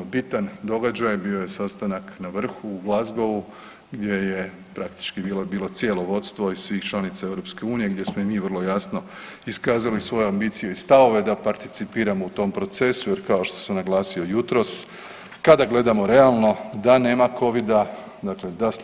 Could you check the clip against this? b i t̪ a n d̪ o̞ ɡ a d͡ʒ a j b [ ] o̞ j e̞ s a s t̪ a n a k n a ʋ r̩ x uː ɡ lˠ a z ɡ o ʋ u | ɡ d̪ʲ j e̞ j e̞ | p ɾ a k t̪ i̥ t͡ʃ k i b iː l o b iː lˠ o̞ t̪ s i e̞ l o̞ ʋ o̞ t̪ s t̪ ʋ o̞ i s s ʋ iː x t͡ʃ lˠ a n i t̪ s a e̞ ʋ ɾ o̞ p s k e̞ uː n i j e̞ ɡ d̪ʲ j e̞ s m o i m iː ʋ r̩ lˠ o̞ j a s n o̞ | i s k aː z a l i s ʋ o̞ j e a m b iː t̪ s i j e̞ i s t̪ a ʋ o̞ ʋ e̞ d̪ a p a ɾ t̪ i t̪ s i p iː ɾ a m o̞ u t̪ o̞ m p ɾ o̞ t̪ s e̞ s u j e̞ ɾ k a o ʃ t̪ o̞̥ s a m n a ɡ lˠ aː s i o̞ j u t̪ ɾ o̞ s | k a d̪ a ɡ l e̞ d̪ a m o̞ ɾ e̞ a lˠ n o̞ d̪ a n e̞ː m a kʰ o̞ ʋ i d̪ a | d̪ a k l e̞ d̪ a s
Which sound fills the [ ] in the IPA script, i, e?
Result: i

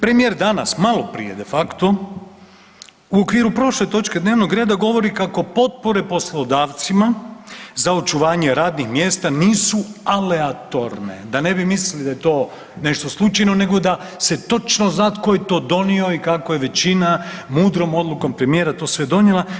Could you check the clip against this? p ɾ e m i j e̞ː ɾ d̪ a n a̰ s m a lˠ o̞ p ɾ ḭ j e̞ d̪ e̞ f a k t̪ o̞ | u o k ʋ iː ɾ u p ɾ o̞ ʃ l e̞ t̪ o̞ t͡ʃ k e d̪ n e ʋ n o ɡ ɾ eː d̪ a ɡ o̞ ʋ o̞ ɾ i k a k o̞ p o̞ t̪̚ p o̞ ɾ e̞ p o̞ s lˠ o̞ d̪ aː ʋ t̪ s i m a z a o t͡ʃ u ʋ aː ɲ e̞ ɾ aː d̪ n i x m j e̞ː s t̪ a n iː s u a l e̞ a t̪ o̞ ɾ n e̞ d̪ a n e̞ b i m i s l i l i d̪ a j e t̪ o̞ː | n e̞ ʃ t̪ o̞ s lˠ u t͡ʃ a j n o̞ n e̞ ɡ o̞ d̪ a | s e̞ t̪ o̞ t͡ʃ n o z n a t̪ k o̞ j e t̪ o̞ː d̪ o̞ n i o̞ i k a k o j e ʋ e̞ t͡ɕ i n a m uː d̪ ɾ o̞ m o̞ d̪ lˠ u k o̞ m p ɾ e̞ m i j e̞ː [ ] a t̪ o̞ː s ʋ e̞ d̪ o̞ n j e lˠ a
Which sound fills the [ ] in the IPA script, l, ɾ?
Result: ɾ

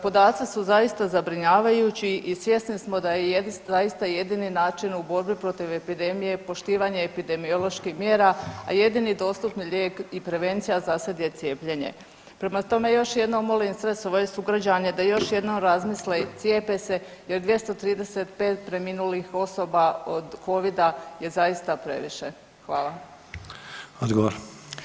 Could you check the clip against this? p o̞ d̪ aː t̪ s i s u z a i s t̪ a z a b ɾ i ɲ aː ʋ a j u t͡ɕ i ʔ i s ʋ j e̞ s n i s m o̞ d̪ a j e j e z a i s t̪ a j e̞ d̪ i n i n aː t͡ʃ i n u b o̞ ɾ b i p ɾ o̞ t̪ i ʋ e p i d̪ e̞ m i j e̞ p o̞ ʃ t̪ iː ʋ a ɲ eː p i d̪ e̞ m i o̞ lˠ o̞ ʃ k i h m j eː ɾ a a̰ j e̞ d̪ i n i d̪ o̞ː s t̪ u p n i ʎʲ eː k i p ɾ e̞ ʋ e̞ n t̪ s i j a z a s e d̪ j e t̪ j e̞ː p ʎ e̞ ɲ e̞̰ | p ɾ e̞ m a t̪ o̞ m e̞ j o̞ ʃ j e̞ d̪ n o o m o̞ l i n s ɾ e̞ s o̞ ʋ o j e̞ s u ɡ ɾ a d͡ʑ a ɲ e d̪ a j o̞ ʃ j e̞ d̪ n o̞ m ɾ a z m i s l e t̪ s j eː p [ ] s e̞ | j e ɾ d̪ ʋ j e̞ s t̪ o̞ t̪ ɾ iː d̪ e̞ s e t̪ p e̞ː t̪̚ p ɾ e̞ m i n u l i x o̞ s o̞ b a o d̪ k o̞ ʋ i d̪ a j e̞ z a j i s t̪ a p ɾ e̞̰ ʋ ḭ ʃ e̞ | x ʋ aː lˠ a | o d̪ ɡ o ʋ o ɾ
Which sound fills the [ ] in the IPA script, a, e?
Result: e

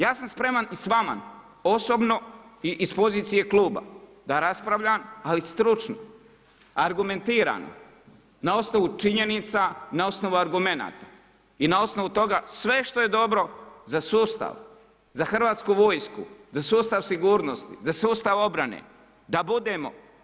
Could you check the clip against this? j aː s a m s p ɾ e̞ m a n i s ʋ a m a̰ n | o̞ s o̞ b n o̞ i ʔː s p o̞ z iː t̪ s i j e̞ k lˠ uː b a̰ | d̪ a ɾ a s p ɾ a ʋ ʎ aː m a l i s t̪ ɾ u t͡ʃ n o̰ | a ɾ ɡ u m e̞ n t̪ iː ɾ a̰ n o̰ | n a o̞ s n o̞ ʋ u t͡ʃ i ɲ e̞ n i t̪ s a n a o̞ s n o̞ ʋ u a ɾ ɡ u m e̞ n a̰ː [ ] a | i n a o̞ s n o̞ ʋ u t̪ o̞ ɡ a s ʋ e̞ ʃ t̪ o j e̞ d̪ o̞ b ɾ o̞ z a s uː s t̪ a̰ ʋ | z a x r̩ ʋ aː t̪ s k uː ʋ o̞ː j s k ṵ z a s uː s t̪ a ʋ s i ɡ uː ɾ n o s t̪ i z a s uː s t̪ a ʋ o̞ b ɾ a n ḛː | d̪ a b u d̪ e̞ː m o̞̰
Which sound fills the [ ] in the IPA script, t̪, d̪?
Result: t̪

